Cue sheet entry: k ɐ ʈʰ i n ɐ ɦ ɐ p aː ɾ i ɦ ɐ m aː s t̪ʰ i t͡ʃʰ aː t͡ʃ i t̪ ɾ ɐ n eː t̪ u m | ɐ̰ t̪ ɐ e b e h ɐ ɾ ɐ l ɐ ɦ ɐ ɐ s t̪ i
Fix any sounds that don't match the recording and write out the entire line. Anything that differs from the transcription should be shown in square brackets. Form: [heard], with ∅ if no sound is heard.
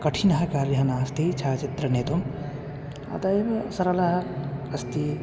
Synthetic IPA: k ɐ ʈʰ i n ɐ ɦ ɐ [k] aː ɾ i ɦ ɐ [n] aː s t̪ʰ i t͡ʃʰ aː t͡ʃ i t̪ ɾ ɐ n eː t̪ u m | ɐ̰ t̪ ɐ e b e [s] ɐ ɾ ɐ l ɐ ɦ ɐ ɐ s t̪ i